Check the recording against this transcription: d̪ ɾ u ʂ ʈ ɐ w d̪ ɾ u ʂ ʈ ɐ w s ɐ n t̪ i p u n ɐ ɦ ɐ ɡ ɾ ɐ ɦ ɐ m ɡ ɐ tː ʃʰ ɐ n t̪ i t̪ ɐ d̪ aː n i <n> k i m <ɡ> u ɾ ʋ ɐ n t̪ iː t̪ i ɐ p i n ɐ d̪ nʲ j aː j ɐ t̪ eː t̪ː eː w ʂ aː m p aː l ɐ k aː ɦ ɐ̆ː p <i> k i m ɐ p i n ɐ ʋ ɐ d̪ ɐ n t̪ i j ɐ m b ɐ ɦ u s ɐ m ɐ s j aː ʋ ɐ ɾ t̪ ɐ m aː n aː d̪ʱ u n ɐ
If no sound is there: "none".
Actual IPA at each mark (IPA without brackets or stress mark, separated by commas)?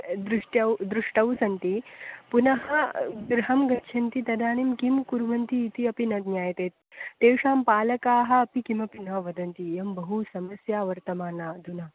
m, k, i